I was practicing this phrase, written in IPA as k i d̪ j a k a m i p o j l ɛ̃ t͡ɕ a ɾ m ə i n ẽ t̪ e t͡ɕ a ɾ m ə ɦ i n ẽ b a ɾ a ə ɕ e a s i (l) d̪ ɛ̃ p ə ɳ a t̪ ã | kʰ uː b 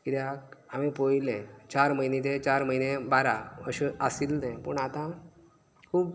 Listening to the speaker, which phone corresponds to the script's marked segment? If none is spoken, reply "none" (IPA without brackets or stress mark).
l